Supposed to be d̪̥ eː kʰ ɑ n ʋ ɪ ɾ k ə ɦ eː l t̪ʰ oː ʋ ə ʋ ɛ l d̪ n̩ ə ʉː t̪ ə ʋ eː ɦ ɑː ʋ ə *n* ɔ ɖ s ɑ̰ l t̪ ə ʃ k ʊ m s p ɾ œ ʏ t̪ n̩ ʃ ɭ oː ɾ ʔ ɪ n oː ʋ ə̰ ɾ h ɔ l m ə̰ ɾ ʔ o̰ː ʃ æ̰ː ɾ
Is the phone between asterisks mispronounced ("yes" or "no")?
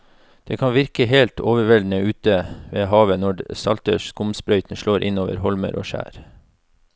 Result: no